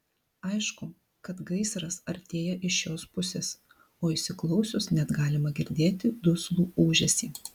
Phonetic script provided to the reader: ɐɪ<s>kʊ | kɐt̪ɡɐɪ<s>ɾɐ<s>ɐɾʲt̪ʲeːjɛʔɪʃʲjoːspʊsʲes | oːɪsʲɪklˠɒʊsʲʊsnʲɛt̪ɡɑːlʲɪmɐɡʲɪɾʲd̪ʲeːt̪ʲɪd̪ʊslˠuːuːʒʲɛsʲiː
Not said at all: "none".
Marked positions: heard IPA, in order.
ʃ, s, s

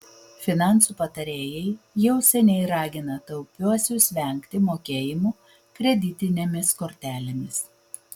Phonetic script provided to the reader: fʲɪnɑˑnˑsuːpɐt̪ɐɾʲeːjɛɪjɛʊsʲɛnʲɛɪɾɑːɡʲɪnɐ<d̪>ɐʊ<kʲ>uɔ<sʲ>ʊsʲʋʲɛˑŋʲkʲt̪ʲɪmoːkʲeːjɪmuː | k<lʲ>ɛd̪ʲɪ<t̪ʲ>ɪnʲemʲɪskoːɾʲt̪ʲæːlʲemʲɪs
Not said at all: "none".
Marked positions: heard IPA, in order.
t̪, pʲ, sʲ, ɾʲ, t̪ʲ

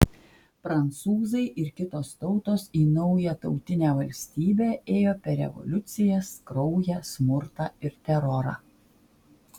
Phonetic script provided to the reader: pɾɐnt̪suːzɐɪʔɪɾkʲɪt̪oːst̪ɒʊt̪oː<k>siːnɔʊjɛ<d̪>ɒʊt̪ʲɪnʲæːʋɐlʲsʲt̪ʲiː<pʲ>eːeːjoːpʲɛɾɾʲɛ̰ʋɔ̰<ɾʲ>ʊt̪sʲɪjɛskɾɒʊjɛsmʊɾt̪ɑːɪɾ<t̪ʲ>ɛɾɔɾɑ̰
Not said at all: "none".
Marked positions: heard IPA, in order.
none, t̪, bʲ, lʲ, t̪ʲ

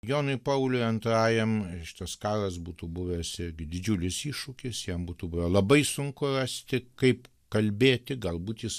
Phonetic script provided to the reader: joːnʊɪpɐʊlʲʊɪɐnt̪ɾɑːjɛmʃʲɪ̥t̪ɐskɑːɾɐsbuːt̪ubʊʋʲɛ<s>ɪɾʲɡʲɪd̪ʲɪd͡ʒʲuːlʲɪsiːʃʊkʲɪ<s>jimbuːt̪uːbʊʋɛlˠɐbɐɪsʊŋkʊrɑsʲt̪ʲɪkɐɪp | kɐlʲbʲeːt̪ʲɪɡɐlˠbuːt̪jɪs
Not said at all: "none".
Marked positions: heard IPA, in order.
s, s

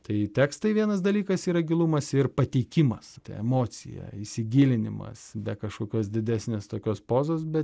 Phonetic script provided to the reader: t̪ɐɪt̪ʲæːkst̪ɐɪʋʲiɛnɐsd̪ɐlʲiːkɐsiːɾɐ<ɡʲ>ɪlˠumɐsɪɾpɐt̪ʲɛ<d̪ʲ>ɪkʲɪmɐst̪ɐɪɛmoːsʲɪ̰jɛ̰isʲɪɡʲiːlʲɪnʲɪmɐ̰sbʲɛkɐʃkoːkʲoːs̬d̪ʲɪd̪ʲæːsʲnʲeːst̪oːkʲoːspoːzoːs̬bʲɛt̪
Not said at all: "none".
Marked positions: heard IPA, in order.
ɡʲ, none

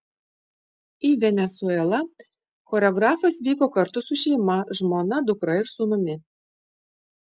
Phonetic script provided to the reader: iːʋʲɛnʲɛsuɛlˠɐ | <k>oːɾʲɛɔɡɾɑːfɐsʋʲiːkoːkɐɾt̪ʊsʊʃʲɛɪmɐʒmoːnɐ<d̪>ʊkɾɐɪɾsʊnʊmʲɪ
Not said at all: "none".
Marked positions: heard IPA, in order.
x, d̪

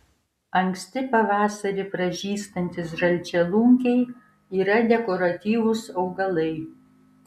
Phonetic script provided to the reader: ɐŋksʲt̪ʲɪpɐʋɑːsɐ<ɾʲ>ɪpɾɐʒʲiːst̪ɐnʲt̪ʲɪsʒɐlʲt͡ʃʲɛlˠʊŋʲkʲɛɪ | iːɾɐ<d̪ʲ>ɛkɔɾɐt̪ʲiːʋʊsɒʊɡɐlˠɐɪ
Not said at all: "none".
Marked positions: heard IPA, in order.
ɾʲ, d̪ʲ

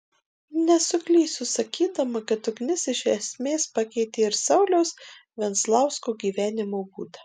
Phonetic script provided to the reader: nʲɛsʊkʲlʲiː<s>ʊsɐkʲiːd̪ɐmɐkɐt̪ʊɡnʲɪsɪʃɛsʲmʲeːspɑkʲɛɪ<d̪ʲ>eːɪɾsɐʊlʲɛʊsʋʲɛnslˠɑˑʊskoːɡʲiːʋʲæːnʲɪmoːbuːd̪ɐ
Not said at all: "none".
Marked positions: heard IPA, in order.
s, t̪ʲ

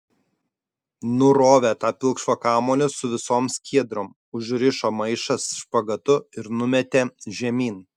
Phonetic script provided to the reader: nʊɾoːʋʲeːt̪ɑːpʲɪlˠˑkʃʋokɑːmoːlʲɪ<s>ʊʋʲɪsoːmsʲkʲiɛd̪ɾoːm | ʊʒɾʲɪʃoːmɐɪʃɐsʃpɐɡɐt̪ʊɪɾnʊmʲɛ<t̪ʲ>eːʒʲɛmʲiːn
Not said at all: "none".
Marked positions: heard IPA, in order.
s, t̪ʲ

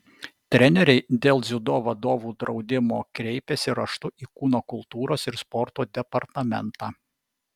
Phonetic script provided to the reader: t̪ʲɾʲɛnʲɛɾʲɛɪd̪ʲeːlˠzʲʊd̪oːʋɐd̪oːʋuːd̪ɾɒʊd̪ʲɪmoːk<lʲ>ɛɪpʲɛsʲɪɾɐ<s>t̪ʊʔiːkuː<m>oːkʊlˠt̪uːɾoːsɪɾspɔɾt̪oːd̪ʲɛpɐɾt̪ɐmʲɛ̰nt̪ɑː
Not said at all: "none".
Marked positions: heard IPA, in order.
ɾʲ, ʃ, n

